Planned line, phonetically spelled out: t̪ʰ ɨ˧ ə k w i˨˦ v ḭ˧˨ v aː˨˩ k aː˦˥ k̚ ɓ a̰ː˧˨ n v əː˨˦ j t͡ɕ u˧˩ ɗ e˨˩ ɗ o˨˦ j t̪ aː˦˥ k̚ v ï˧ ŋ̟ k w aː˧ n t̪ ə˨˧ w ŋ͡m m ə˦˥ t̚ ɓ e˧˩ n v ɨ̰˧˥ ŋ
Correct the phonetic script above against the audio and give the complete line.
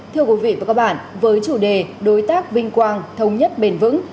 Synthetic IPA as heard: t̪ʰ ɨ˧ ə k w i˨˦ v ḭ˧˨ v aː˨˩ k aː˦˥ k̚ ɓ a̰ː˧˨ n v əː˨˦ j t͡ɕ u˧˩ ɗ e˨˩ ɗ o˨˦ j t̪ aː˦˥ k̚ v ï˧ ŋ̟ k w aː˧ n t̪ʰ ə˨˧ w ŋ͡m ɲ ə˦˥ t̚ ɓ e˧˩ n v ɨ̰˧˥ ŋ